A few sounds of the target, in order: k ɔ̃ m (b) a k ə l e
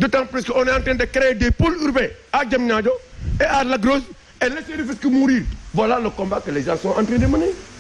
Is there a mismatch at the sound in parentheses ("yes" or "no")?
no